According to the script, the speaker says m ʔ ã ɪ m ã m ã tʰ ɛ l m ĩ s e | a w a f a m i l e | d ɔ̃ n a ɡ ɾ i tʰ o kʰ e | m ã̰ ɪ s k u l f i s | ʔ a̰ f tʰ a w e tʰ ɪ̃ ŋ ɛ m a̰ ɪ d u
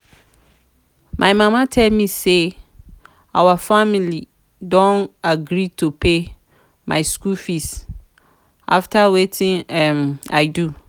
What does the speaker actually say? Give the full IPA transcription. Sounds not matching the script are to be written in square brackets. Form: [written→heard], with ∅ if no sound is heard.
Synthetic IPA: m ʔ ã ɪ m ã m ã tʰ ɛ l m ĩ s e | a w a f a m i l [e→i] | d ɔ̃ n a ɡ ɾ i tʰ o [kʰ→pʰ] e | m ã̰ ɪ s k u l f i s | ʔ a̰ f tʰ a w e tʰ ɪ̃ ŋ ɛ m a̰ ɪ d u

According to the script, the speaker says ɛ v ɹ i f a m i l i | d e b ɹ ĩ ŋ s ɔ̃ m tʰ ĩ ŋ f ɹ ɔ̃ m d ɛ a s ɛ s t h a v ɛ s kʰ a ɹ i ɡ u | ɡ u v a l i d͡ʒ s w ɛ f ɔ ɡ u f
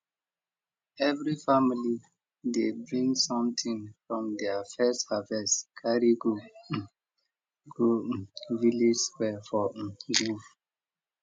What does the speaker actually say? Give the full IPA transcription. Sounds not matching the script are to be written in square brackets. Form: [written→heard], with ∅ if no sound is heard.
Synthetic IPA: ɛ v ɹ i f a m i l i | d e b ɹ ĩ ŋ s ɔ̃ m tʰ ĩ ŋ f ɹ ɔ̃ m d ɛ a [s→f] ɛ s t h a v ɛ s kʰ a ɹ i ɡ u | ɡ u v [a→i] l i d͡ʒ s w ɛ f ɔ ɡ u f

